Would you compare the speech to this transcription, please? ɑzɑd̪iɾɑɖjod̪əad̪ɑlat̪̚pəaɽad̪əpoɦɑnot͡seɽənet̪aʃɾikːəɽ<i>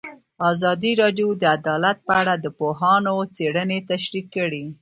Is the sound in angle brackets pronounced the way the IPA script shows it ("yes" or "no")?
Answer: yes